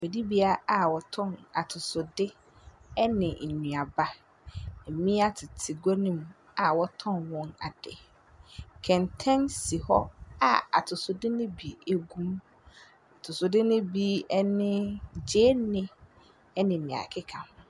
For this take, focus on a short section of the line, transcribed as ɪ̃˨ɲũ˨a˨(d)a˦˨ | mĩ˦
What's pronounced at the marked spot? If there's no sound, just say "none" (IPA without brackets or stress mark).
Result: b